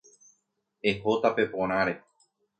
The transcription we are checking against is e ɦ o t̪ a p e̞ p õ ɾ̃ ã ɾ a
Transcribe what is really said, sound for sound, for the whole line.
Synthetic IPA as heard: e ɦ o t̪ a p e̞ p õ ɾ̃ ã ɾ e